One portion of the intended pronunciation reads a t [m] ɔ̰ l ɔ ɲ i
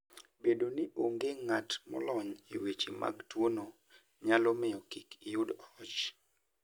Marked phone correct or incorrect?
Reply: correct